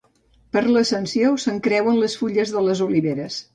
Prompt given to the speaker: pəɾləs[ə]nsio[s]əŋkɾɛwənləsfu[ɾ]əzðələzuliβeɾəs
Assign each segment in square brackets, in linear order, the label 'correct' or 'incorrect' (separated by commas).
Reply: correct, correct, incorrect